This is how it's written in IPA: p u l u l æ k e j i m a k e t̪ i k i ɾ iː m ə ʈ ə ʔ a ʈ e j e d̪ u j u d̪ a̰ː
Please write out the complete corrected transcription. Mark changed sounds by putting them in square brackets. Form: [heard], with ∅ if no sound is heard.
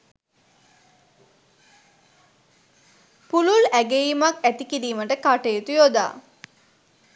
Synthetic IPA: p u l u l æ [ɡ] e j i m a k [æ] t̪ i k i ɾ iː m ə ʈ ə [k] a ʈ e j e [t̪] u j [o] d̪ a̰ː